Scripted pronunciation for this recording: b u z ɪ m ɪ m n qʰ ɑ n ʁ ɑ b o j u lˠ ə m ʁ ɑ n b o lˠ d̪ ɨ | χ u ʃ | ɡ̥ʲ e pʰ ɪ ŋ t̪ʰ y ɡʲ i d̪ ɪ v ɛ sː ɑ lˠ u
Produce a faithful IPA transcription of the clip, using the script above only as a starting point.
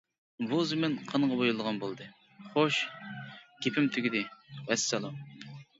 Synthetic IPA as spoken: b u z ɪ m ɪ n qʰ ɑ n ʁ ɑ b o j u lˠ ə ʁ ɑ n b o lˠ d̪ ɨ | χ o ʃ | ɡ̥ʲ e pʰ ɪ m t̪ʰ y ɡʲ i d̪ ɪ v ɛ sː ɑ lˠ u